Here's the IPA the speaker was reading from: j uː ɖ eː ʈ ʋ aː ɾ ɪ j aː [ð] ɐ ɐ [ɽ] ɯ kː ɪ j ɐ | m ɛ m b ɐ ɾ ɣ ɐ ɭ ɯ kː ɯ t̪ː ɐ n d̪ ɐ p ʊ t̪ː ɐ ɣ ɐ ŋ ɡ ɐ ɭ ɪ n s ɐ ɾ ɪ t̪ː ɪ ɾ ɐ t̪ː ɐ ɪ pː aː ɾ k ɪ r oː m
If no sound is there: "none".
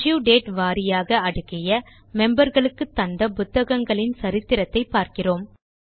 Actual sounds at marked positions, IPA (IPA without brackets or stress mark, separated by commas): ɣ, ɽ